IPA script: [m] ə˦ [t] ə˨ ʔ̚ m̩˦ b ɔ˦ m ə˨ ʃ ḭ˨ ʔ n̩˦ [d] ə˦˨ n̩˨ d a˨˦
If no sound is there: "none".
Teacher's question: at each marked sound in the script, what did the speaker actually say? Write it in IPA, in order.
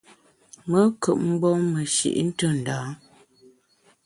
m, k, t

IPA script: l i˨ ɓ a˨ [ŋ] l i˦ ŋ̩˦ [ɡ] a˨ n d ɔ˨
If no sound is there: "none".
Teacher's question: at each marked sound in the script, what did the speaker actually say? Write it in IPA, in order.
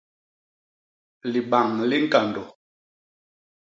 ŋ, k

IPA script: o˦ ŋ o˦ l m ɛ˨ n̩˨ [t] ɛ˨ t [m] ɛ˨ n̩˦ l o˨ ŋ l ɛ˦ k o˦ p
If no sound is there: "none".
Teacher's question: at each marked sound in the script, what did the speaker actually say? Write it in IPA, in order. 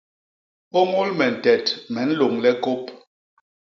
t, m

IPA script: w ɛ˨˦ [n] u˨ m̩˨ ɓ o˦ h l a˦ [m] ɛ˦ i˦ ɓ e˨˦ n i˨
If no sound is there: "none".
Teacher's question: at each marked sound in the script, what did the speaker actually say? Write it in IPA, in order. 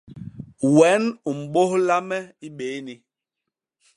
n, m

